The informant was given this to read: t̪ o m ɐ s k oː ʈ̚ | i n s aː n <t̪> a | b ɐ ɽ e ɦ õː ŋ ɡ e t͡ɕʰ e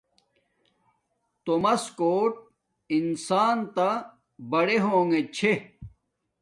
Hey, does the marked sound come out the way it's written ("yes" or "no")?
yes